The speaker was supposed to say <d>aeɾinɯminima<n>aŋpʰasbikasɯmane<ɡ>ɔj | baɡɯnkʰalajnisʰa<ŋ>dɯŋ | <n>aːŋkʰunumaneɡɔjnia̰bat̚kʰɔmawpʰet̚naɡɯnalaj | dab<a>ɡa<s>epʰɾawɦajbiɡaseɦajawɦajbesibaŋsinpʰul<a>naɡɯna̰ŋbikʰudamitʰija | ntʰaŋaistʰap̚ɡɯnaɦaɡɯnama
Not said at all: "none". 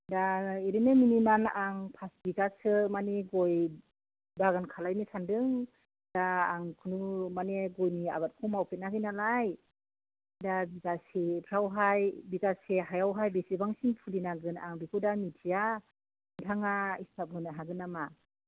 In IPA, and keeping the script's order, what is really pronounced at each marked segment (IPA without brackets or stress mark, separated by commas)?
d, n, ɡ, n, d, i, s, i